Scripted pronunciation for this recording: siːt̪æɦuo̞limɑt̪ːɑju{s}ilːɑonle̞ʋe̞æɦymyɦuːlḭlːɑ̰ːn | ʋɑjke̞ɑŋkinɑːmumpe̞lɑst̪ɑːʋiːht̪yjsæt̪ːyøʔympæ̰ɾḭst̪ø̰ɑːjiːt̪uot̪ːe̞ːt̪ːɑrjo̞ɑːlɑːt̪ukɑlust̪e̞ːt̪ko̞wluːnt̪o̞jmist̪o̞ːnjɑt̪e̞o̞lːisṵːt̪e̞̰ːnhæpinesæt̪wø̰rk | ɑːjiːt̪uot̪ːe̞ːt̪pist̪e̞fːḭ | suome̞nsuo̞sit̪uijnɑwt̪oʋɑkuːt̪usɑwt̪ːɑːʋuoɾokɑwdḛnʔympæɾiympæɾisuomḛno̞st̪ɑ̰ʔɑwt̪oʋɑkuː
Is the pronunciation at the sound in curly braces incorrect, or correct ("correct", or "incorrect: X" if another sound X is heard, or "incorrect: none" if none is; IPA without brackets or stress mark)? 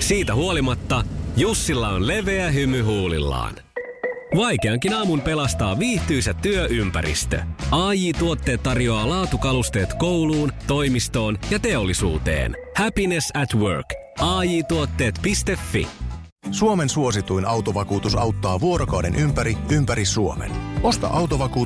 incorrect: sː